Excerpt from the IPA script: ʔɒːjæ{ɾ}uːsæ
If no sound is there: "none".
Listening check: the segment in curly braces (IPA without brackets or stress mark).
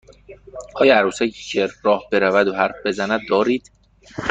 ɾ